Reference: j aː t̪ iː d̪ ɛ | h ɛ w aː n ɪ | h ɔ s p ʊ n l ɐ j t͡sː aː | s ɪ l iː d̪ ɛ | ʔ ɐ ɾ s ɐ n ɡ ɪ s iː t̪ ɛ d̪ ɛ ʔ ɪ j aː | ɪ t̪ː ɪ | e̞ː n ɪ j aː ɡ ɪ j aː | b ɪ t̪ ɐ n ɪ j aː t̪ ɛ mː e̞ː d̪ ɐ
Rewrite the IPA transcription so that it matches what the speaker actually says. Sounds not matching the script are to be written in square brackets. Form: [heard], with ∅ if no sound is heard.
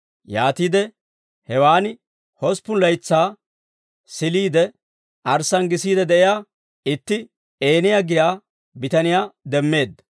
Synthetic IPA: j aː t̪ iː d̪ ɛ | h ɛ w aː n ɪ | h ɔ s p ʊ n l ɐ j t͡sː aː | s ɪ l iː d̪ ɛ | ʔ ɐ ɾ s ɐ n ɡ ɪ s iː [d̪] ɛ d̪ ɛ ʔ ɪ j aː | ɪ t̪ː ɪ | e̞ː n ɪ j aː ɡ ɪ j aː | b ɪ t̪ ɐ n ɪ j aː [d̪] ɛ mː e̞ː d̪ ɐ